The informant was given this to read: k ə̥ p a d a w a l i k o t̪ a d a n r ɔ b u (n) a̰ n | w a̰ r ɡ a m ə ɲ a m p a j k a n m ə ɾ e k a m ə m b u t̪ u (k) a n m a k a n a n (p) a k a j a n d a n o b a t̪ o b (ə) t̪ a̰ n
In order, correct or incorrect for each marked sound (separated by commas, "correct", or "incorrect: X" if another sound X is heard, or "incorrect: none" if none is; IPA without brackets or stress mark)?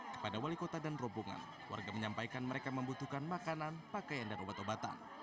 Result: incorrect: ŋ, correct, correct, incorrect: a